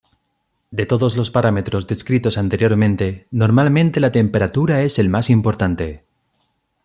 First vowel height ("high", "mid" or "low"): mid